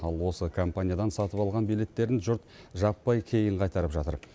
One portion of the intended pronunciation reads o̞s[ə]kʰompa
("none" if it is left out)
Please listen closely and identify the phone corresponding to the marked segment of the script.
ə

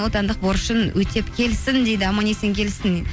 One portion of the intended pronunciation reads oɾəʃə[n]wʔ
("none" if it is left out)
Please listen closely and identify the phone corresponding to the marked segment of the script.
n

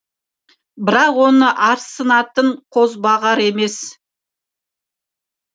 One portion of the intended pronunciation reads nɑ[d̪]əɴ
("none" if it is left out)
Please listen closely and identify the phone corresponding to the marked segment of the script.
t̪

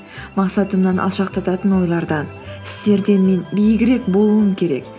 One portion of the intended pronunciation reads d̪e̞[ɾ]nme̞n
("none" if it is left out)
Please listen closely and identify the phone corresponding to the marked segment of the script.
none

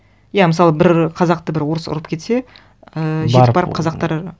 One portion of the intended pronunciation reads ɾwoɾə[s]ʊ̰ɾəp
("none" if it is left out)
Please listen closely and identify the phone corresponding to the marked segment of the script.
s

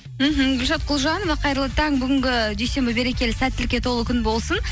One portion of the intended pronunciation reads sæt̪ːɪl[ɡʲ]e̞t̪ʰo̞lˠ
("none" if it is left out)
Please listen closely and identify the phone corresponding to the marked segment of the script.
kʲ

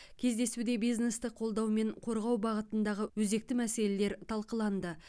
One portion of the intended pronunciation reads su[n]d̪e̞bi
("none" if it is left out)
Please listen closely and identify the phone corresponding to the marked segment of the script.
none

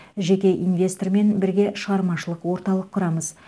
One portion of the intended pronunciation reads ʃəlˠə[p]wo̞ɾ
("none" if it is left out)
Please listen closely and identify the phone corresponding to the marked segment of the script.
q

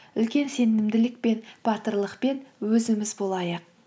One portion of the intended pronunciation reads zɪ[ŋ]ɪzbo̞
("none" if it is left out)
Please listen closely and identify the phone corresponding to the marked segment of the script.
m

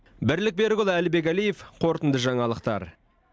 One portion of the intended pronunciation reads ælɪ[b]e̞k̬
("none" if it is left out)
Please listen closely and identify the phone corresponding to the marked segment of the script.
b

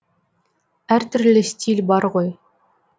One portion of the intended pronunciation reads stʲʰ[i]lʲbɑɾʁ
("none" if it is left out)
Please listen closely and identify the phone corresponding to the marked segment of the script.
i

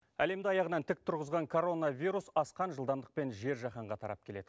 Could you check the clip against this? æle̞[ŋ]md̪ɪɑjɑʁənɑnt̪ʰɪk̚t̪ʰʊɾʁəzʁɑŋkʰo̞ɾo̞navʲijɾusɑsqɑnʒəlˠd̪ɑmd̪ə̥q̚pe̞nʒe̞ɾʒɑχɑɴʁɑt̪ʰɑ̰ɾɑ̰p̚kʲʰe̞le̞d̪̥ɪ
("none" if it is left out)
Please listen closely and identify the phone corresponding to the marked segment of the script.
none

